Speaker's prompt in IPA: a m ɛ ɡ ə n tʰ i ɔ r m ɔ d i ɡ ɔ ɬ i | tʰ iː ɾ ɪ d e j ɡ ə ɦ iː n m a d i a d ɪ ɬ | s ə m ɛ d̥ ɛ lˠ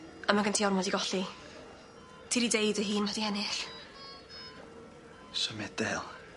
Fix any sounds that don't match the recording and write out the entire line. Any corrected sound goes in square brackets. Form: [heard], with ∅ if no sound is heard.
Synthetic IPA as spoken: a m [a] ɡ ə n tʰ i ɔ r m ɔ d i ɡ ɔ ɬ i | tʰ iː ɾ [i] d e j [d] ə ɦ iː n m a d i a [n] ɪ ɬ | s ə m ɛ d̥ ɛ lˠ